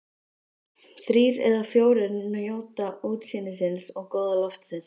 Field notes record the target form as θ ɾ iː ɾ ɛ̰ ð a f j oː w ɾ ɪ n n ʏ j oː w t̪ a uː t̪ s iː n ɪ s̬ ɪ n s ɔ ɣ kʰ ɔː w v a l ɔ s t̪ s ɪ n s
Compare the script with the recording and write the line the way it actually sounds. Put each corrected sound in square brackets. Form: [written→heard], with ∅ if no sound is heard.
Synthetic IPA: θ ɾ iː ɾ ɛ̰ ð a f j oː w ɾ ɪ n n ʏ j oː w t̪ a uː t̪ s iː n ɪ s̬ ɪ n s ɔ ɣ [kʰ→k] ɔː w [v→ð] a l ɔ [s→f] t̪ s ɪ n s